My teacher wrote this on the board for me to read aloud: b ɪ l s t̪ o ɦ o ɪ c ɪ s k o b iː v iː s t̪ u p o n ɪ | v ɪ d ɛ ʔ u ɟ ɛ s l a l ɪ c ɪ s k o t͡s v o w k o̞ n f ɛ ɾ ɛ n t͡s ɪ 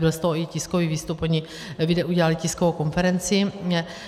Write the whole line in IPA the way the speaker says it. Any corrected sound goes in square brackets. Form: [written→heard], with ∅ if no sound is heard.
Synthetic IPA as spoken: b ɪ l s t̪ o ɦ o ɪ c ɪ s k o [b→v] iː v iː s t̪ u p o [n→ɲ] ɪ | v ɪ d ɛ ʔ u ɟ ɛ [s→∅] l a l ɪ c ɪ s k o [t͡s→∅] v o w k o̞ n f ɛ ɾ ɛ n t͡s ɪ